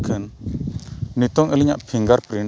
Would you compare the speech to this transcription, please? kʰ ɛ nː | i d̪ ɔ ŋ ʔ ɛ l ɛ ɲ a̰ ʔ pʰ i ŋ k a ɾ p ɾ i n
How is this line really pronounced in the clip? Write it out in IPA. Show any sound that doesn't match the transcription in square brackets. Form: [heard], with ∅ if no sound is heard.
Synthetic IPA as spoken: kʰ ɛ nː | i [t̪] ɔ ŋ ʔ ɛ l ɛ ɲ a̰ ʔ pʰ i ŋ [ɡ] a ɾ p ɾ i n

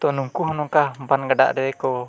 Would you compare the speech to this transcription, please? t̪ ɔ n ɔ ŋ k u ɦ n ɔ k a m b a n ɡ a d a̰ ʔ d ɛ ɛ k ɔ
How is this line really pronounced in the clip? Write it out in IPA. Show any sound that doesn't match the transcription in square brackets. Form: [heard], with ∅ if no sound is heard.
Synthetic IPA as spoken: t̪ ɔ n [u] ŋ k u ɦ n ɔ k a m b a n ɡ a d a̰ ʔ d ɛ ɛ k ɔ

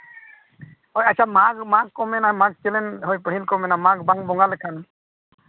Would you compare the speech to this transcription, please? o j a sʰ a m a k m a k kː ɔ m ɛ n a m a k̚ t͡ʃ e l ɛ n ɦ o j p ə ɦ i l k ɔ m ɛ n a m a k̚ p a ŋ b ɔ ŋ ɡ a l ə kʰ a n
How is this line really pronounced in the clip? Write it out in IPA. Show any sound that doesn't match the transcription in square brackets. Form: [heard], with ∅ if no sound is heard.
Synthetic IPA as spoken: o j a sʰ a m a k m a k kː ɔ m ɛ n a m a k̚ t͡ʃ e l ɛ n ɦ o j p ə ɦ i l k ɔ m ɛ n a m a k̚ [b] a ŋ b ɔ ŋ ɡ a l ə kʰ a n

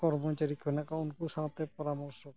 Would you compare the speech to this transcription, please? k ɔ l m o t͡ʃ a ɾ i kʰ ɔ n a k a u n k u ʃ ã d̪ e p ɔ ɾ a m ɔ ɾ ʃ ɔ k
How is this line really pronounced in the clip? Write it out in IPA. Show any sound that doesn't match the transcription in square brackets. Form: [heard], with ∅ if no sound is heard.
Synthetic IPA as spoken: k ɔ [ɾ] m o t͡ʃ a ɾ i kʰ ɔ n a k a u n k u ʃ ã [t̪] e p ɔ ɾ a m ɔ ɾ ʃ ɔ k

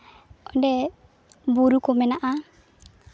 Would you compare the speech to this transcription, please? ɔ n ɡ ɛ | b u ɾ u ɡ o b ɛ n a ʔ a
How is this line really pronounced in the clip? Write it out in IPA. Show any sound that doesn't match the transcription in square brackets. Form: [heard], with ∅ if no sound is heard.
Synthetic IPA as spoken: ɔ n [d] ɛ | b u ɾ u [k] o [m] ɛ n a ʔ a

